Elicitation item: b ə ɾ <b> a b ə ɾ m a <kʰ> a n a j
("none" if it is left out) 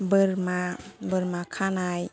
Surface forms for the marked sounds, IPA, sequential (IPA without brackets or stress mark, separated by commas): m, kʰ